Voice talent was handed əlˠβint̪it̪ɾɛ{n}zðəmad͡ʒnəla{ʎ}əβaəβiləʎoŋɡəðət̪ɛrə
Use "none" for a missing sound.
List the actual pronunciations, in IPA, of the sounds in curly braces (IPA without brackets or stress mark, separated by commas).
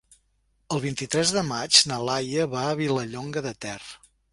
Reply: none, j